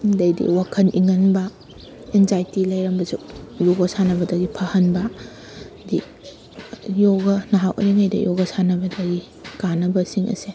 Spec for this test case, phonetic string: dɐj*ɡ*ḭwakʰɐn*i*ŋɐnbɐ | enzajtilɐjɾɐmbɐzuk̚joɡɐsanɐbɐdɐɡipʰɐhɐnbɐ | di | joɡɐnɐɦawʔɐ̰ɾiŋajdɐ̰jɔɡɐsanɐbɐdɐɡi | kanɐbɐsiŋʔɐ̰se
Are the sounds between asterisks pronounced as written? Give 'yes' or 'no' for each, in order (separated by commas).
no, yes